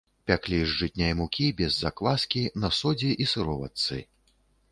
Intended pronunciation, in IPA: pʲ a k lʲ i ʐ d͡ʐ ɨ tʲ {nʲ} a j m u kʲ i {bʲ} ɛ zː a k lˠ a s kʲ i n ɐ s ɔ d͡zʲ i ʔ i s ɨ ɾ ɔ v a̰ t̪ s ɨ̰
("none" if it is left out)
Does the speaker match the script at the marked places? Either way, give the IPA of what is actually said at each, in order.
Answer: nʲ, bʲ

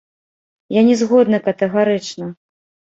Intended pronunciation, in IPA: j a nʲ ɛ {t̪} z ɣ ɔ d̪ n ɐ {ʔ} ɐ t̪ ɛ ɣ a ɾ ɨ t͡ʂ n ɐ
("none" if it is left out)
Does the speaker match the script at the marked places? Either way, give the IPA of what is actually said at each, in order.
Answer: none, k

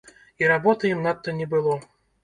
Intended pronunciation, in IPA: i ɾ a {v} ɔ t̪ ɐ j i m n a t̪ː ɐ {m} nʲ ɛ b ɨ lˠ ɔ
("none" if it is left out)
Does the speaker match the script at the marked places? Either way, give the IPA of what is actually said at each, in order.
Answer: b, none

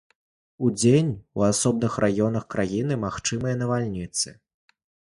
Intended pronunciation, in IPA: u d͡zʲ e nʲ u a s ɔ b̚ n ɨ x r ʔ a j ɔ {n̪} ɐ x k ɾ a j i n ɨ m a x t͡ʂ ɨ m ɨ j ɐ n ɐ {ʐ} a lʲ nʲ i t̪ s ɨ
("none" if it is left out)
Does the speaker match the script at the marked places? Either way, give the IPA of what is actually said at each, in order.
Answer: n̪, v

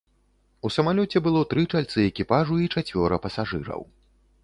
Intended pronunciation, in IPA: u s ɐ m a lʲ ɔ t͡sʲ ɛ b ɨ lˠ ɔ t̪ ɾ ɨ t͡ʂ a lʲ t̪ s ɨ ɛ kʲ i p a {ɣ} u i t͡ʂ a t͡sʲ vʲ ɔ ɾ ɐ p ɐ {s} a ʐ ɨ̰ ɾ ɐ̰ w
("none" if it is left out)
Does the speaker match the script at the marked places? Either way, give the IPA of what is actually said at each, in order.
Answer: ʐ, s

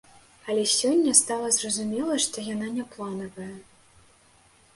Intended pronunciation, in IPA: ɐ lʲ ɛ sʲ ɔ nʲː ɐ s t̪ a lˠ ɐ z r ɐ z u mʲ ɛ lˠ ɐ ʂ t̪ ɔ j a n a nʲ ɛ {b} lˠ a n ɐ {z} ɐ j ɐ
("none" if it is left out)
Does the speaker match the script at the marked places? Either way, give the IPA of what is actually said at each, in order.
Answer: p, v

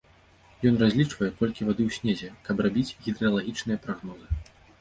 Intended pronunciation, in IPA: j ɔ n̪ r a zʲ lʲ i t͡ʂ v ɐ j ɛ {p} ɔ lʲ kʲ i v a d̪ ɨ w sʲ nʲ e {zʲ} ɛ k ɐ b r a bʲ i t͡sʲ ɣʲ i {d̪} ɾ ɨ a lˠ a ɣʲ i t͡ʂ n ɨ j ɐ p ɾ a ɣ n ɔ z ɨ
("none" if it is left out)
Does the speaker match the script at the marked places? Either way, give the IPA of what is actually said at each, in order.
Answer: k, zʲ, d̪

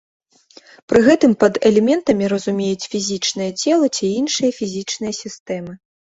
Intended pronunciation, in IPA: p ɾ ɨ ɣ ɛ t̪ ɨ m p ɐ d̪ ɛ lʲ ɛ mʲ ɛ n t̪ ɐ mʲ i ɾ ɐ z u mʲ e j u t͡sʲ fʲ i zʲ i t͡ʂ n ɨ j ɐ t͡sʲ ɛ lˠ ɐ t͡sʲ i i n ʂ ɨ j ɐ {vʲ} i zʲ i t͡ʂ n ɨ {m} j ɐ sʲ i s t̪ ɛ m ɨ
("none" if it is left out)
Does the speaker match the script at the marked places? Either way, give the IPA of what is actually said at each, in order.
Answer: fʲ, none

